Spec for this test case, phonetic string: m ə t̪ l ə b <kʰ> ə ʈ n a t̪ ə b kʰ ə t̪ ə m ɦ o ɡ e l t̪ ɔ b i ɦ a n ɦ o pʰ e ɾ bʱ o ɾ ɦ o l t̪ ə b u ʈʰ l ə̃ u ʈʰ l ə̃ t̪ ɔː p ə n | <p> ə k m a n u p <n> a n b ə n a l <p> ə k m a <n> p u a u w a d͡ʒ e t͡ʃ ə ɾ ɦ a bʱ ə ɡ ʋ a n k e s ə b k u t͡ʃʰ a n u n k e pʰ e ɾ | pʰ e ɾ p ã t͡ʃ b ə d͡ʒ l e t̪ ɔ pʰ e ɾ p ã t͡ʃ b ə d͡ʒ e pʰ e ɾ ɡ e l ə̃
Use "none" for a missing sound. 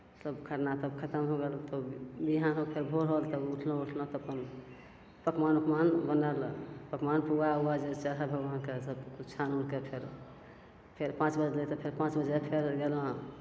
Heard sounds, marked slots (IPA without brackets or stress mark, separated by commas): kʰ, p, m, p, n